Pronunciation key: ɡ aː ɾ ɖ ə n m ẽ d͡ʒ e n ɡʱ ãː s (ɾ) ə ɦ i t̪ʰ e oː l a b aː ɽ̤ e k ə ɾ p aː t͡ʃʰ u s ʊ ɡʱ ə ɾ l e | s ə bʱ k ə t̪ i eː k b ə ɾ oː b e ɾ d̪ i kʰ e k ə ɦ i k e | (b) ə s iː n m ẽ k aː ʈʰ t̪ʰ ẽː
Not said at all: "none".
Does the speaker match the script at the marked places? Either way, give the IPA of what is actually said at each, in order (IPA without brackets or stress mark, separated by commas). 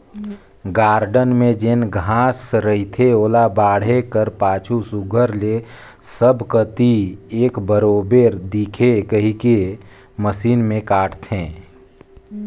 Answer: ɾ, m